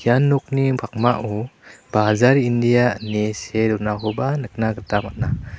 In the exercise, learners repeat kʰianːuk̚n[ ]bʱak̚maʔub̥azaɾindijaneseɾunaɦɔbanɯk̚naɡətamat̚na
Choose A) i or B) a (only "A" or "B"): A